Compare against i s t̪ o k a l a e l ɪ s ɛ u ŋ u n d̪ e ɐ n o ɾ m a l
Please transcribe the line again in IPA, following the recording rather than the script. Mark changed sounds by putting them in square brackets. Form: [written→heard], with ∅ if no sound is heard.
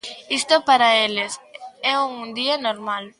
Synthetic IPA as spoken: i s t̪ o [k→p] a [l→ɾ] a e l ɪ s ɛ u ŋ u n d̪ [e→i] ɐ n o ɾ m a l

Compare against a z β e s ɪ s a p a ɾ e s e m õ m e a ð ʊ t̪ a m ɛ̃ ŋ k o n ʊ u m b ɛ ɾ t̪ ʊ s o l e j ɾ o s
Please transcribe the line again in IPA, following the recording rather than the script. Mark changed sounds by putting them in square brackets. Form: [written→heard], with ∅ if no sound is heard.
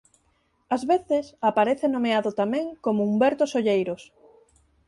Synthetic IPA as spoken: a z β e [s→θ] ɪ s a p a ɾ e [s→θ] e [m→n] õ m e a ð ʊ t̪ a m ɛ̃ ŋ k o [n→m] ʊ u m b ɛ ɾ t̪ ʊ s o [l→ʎ] e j ɾ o s

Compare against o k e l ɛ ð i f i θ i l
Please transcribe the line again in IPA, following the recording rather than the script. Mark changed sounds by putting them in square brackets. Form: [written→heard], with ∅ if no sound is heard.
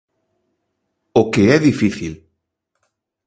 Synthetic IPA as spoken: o k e [l→∅] ɛ ð i f i θ i l

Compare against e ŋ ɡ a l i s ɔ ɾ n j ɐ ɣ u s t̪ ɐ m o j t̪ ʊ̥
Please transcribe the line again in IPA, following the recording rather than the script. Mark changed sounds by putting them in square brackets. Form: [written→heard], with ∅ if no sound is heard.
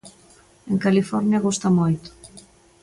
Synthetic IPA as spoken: e ŋ [ɡ→k] a l i [s→f] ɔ ɾ n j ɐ ɣ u s t̪ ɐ m o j t̪ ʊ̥

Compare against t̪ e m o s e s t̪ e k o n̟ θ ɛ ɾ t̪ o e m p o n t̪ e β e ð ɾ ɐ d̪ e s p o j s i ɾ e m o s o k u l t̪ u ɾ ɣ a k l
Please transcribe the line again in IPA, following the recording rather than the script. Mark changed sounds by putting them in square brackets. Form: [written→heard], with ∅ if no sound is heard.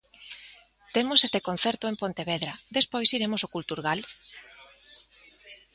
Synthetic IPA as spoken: t̪ e m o s e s t̪ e k o n̟ θ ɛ ɾ t̪ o e m p o n t̪ e β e ð ɾ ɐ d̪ e s p o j s i ɾ e m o s o k u l t̪ u ɾ ɣ a [k→∅] l

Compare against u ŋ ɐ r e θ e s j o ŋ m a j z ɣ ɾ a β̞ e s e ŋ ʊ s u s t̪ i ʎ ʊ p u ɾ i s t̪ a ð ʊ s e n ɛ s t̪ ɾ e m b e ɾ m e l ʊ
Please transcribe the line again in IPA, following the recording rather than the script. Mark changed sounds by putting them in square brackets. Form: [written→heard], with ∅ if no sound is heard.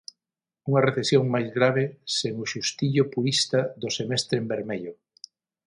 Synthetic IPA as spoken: u ŋ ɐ r e θ e s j o ŋ m a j z ɣ ɾ a β̞ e s e ŋ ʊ [s→ʃ] u s t̪ i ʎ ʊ p u ɾ i s t̪ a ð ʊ s e [n→m] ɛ s t̪ ɾ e m b e ɾ m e [l→ʎ] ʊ

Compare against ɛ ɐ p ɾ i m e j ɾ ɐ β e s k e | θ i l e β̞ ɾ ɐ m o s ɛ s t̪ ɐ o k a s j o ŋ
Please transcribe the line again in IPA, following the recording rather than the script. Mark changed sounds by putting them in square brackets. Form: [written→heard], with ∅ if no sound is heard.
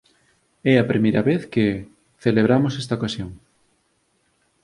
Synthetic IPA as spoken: ɛ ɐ p ɾ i m e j ɾ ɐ β e [s→θ] k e | θ [i→e] l e β̞ ɾ [ɐ→a] m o s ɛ s t̪ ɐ o k a s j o ŋ

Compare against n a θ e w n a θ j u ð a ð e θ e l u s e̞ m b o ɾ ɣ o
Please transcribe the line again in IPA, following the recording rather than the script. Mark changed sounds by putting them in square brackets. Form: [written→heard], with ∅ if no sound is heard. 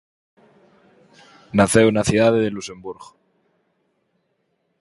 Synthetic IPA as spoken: n a θ e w n a θ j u ð a ð e [θ→ð] e l u s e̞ m b [o→u] ɾ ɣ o

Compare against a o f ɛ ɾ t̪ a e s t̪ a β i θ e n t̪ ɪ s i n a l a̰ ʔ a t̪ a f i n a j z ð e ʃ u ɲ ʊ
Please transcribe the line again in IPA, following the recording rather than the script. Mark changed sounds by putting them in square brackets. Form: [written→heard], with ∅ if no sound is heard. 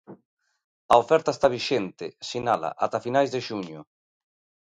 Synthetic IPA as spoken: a o f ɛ ɾ t̪ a e s t̪ a β i [θ→ʃ] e n t̪ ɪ s i n a l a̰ ʔ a t̪ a f i n a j z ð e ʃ u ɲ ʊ

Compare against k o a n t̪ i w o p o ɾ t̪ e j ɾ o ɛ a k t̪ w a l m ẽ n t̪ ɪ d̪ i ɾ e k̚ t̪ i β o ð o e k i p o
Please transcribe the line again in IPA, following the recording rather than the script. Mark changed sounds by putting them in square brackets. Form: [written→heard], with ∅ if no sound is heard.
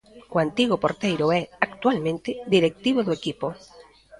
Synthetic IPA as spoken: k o a n t̪ i [w→ɣ] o p o ɾ t̪ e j ɾ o ɛ a k t̪ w a l m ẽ n t̪ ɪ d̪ i ɾ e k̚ t̪ i β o ð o e k i p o

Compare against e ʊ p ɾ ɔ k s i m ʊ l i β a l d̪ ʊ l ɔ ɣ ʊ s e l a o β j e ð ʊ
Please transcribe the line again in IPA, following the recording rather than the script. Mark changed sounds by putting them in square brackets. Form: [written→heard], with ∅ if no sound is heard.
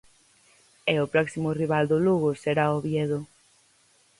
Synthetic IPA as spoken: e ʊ p ɾ ɔ k s i m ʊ [l→r] i β a l d̪ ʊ l [ɔ→u] ɣ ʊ s e [l→ɾ] a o β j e ð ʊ

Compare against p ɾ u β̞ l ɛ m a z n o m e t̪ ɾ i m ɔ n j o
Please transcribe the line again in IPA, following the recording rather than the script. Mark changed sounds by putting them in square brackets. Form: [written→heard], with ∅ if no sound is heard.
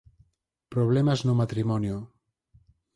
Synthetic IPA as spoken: p ɾ [u→o] β̞ l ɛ m a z n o m [e→a] t̪ ɾ i m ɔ n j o

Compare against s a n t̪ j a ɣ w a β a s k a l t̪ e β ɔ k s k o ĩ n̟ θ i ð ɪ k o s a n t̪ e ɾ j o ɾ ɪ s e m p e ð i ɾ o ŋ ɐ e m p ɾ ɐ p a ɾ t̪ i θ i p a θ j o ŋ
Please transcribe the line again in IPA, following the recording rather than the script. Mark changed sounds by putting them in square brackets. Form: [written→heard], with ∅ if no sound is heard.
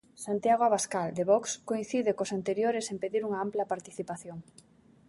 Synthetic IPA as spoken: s a n t̪ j a ɣ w a β a s k a l [t̪→d̪] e β ɔ k s k o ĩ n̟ θ i ð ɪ k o s a n t̪ e ɾ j o ɾ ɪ s e m p e ð i ɾ [o→u] ŋ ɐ [e→a] m p [ɾ→l] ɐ p a ɾ t̪ i θ i p a θ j o ŋ

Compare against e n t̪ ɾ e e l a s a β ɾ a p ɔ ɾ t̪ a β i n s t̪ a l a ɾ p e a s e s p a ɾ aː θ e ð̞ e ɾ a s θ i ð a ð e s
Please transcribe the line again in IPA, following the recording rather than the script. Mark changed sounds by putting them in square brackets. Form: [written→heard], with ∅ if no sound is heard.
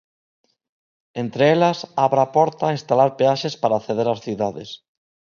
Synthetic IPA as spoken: e n t̪ ɾ e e l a s a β ɾ a p ɔ ɾ t̪ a [β→∅] i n s t̪ a l a ɾ p e a [s→ʃ] e s p a ɾ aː θ e ð̞ e ɾ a s θ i ð a ð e s

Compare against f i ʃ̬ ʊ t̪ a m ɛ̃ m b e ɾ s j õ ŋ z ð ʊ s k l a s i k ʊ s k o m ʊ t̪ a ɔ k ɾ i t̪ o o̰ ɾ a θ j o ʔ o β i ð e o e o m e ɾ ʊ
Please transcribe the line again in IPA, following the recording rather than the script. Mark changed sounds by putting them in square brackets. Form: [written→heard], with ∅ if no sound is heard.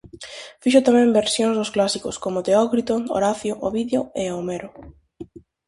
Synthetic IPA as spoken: f i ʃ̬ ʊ t̪ a m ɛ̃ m b e ɾ s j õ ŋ z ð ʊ s k l a s i k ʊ s k o m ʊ t̪ [a→e] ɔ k ɾ i t̪ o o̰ ɾ a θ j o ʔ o β i ð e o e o m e ɾ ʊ

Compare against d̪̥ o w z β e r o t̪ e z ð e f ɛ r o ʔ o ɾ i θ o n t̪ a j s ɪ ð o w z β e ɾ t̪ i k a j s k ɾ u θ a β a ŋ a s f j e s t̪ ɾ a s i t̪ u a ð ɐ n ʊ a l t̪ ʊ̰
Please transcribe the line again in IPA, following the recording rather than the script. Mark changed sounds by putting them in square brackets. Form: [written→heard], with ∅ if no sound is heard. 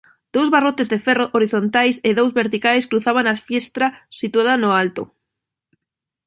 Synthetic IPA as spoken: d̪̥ o w z β [e→a] r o t̪ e z ð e f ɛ r o ʔ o ɾ i θ o n t̪ a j s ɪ ð o w z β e ɾ t̪ i k a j s k ɾ u θ a β a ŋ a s f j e s t̪ ɾ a s i t̪ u a ð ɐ n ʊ a l t̪ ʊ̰

